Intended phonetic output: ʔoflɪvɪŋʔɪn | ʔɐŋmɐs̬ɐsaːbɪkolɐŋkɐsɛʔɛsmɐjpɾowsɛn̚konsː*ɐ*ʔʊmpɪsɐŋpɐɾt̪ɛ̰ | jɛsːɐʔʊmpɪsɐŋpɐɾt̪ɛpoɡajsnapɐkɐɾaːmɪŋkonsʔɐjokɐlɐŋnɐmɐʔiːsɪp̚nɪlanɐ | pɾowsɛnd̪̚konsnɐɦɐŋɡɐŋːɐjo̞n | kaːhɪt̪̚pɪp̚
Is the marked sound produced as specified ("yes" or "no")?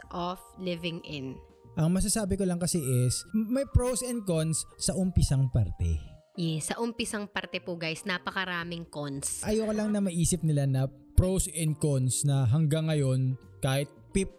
yes